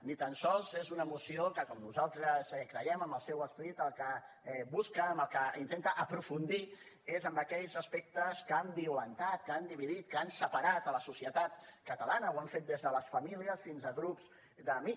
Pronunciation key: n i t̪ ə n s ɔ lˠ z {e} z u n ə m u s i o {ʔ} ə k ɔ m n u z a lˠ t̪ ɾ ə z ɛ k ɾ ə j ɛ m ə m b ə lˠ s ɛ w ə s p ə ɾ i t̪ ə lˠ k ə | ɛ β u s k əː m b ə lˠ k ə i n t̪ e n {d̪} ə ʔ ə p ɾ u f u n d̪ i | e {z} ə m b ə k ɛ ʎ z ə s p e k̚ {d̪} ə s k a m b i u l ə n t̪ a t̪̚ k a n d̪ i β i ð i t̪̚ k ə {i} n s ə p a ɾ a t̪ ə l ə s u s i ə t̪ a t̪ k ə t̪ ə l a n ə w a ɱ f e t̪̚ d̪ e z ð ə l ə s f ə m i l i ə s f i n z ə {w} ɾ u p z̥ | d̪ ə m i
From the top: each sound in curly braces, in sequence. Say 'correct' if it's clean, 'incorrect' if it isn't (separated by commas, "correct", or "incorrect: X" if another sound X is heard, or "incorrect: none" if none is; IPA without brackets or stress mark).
correct, incorrect: k, incorrect: t̪, correct, incorrect: t̪, incorrect: a, incorrect: ɣ